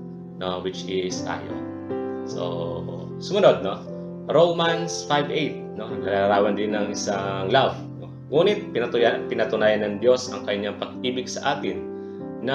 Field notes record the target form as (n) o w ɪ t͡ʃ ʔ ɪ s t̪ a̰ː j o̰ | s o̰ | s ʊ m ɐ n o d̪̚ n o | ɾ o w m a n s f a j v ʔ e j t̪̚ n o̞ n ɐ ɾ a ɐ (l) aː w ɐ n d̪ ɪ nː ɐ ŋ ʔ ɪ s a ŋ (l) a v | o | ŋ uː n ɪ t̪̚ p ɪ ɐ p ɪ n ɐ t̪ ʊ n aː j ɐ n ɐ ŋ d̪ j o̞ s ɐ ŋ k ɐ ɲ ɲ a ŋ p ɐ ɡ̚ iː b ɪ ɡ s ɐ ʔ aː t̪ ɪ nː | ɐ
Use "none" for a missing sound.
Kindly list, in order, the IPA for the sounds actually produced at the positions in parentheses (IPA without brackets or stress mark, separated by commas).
n, ɾ, l